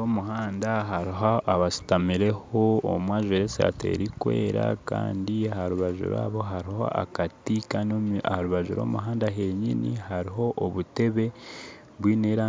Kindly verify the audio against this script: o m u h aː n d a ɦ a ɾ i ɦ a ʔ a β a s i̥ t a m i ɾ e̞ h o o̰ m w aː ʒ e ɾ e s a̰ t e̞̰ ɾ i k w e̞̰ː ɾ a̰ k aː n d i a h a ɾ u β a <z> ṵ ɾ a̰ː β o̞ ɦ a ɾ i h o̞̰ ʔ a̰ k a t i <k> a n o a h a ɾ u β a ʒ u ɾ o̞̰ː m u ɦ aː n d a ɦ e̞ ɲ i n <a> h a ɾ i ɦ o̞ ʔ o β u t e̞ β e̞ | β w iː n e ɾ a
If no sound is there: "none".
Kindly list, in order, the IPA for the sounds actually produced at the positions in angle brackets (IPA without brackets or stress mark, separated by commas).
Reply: ʒ, k, i